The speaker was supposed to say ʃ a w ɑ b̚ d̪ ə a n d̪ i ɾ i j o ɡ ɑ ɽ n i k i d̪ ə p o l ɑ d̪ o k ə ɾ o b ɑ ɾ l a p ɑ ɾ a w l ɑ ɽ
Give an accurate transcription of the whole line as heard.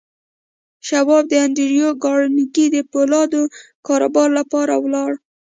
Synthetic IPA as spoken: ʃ a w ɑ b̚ d̪ ə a n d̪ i ɾ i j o ɡ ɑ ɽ n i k i d̪ ə p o l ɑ d̪ o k ɑ ɾ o b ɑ ɾ l a p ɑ ɾ a w l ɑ ɽ